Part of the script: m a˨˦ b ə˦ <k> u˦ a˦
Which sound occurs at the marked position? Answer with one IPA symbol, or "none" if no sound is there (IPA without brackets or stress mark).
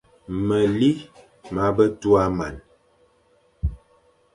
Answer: t